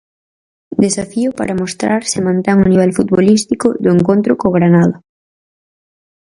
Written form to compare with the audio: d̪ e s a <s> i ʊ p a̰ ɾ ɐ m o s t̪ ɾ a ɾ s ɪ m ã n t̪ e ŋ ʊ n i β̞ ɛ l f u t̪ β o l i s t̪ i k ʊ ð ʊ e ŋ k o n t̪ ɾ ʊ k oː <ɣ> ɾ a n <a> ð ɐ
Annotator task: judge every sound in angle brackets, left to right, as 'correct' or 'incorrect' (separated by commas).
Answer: incorrect, correct, correct